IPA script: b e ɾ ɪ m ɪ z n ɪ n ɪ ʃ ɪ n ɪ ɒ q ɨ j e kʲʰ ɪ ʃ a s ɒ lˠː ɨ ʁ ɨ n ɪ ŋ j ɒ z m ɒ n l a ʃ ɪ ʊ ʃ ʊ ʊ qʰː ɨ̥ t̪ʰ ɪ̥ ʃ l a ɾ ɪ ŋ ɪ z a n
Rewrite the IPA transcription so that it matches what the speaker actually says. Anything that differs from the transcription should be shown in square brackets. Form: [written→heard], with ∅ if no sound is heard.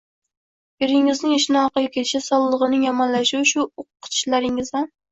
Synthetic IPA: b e ɾ ɪ [m→ŋ] ɪ z n ɪ [n→ŋ] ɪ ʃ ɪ n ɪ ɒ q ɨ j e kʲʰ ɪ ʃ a s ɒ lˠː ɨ ʁ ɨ n ɪ ŋ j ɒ [z→∅] m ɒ n l a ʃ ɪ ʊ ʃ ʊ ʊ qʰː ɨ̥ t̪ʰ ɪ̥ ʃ l a ɾ ɪ ŋ ɪ z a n